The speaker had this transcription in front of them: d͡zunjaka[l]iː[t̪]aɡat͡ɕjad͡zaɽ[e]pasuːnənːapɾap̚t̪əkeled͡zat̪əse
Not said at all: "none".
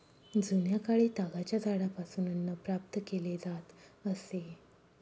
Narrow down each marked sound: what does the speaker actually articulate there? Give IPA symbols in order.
ɭ, t̪, a

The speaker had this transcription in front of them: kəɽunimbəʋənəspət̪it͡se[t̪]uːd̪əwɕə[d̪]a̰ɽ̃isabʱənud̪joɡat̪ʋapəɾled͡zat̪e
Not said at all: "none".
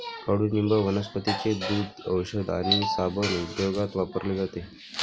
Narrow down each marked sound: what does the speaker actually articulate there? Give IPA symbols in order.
d̪, d̪

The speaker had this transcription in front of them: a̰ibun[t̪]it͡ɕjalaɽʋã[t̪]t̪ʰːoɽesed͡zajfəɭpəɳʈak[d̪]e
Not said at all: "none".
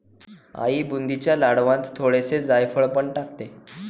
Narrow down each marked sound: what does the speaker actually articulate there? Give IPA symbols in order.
d̪, t̪, t̪

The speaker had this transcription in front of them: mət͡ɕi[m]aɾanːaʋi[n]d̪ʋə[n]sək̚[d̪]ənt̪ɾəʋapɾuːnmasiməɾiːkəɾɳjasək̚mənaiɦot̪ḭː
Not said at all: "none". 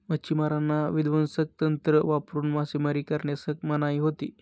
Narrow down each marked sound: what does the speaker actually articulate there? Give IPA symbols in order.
m, none, n, t̪

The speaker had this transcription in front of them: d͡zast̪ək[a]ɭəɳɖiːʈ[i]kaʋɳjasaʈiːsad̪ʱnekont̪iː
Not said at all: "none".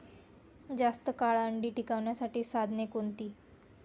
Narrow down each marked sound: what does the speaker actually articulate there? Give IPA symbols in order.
a, i

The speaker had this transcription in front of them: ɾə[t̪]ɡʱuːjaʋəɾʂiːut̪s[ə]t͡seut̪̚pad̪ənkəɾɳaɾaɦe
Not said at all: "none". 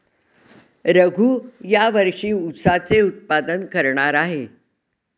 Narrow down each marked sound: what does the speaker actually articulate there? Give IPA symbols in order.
none, a

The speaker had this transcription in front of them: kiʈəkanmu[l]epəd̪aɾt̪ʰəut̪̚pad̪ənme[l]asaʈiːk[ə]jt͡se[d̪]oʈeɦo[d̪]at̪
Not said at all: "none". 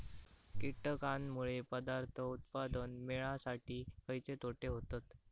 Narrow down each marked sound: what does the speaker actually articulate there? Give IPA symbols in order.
ɭ, ɭ, ə, t̪, t̪

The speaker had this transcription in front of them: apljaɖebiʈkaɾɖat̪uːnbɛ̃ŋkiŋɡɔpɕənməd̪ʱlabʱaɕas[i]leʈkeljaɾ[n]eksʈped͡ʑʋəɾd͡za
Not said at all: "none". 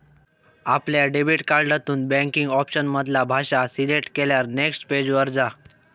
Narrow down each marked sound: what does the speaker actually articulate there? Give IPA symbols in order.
i, n

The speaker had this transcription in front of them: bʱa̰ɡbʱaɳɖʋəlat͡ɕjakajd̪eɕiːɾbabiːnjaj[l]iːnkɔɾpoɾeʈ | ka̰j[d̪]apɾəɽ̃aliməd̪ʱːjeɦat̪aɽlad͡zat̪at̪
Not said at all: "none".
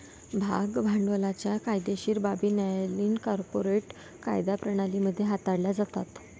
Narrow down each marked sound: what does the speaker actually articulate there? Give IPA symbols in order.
l, d̪

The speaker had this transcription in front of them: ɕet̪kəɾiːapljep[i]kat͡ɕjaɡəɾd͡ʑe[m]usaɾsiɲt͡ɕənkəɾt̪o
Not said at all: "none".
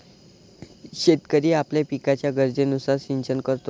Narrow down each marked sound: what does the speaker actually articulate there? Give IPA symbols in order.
i, n

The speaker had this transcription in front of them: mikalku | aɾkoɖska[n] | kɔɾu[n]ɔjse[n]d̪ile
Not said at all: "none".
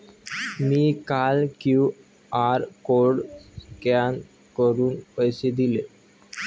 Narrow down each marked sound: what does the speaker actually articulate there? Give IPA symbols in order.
n, n, none

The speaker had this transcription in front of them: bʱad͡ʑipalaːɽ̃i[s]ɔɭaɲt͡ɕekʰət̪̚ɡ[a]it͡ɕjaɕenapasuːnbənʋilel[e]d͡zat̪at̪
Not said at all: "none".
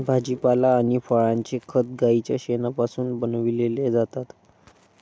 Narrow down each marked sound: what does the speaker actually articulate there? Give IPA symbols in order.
f, a, e

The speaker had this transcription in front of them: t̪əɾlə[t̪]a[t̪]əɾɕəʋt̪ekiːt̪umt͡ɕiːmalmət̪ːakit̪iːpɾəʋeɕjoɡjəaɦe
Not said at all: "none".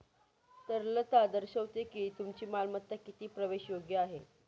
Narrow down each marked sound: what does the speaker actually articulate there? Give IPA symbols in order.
t̪, d̪

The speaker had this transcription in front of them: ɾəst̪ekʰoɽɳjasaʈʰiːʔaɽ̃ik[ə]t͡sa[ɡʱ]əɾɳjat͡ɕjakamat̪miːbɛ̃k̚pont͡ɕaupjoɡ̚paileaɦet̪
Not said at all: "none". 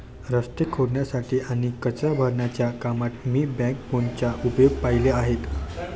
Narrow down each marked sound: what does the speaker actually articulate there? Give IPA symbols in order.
ə, bʱ

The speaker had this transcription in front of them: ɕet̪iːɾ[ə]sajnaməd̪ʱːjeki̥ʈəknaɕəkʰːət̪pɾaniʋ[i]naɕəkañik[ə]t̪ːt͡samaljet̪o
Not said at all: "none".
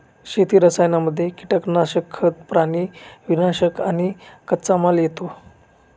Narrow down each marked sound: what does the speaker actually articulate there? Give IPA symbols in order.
ə, i, ə

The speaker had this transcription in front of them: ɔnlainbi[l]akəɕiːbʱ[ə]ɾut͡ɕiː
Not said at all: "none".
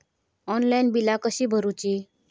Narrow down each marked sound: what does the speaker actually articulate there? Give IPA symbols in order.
l, ə

